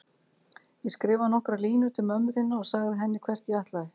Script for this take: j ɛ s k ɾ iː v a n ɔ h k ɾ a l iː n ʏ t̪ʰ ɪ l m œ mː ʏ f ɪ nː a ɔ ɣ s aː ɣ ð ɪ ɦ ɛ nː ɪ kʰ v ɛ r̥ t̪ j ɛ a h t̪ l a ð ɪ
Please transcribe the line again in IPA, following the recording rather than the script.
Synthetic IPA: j ɛ s k ɾ ɪː v a n ɔ h k ɾ a l iː n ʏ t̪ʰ ɪ l m œ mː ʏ θ ɪ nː a ɔ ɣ s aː ɣ ð ɪ ɦ ɛ nː ɪ kʰ v ɛ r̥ t̪ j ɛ a h t̪ l a ð ɪ